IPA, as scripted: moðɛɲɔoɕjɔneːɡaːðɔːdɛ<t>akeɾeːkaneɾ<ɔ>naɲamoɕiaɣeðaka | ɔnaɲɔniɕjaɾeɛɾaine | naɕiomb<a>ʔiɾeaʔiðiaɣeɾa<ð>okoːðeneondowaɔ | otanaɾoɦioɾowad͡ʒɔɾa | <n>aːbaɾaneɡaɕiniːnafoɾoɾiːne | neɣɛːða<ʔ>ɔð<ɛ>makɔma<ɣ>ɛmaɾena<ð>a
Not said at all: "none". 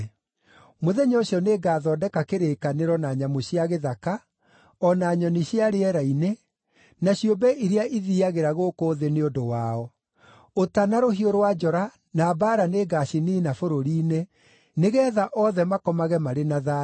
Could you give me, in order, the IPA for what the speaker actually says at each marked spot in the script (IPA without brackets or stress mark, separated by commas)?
k, ɔ, ɛ, ɣ, n, ʔ, ɛ, ɣ, ð